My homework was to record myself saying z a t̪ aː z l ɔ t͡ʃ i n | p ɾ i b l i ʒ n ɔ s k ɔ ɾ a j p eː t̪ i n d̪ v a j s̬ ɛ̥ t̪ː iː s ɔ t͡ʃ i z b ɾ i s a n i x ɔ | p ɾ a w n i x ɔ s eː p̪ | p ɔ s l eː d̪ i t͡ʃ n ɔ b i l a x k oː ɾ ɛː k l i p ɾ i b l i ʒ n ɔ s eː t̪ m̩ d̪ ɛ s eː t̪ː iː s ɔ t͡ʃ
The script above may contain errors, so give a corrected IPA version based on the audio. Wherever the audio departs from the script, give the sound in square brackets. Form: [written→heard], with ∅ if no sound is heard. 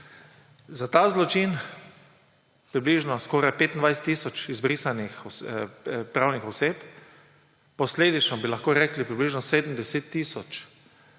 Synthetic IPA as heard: z a t̪ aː z l ɔ t͡ʃ i n | p ɾ i b l i ʒ n ɔ s k ɔ ɾ a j p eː t̪ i n d̪ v a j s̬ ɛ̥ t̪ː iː s ɔ t͡ʃ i z b ɾ i s a n i x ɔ | p ɾ a w n i x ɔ s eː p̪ | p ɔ s l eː d̪ i t͡ʃ n ɔ b i l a x k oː ɾ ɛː k l i p ɾ i b l i ʒ n ɔ s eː [t̪→d̪] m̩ d̪ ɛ s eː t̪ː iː s ɔ t͡ʃ